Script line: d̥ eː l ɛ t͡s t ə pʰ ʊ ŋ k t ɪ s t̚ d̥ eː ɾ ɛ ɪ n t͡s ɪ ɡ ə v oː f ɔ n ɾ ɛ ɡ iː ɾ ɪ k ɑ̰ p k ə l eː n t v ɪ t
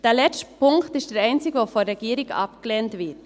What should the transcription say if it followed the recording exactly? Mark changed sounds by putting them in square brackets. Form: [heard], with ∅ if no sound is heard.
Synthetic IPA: d̥ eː l ɛ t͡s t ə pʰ ʊ ŋ k t ɪ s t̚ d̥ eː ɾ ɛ ɪ n t͡s ɪ ɡ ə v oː f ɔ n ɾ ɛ ɡ iː ɾ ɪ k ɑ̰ p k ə l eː n t v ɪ t